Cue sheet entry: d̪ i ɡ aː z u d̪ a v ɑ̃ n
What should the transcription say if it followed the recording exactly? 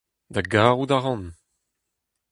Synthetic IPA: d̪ a ɡ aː ʁ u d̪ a ʁ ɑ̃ n